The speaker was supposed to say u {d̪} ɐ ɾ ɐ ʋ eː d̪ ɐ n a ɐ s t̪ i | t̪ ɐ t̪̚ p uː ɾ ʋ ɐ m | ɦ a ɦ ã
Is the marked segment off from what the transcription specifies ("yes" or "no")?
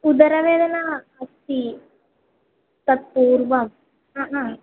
no